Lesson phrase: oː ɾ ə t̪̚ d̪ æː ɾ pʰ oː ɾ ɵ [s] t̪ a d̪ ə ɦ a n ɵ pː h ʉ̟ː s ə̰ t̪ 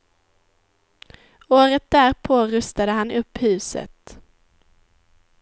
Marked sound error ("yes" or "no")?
no